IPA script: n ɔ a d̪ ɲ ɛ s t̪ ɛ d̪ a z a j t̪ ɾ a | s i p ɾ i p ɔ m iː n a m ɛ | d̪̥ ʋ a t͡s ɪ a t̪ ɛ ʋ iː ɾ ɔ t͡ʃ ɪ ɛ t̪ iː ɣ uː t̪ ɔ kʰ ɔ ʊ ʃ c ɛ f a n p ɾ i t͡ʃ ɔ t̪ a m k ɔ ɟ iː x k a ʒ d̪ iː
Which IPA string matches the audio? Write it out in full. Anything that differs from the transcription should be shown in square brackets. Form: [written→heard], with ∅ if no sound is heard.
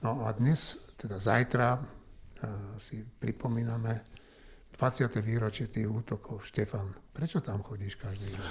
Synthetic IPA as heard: n ɔ a d̪ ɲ ɛ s t̪ ɛ d̪ a z a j t̪ ɾ a | s i p ɾ i p ɔ m iː n a m ɛ | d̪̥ ʋ a t͡s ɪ a t̪ ɛ ʋ iː ɾ ɔ t͡ʃ ɪ ɛ t̪ iː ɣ uː t̪ ɔ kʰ ɔ ʊ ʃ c ɛ f a n p ɾ [i→ɛ] t͡ʃ ɔ t̪ a m [k→x] ɔ ɟ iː [x→ʃ] k a ʒ d̪ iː